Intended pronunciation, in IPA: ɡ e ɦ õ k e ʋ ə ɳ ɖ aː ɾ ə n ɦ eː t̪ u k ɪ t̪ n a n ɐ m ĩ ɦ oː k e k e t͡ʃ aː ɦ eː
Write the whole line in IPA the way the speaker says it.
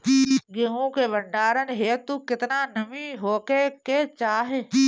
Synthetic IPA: ɡ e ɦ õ k e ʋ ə ɳ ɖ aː ɾ ə n ɦ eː t̪ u k ɪ t̪ n a n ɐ m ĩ ɦ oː k e k e t͡ʃ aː ɦ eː